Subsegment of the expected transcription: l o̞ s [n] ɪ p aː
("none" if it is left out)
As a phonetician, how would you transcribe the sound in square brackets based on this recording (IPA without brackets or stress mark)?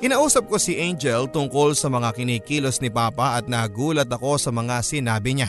n